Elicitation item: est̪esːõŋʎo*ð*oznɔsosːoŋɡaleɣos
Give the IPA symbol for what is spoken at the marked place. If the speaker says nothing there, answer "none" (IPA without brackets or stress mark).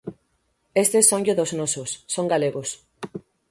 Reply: ð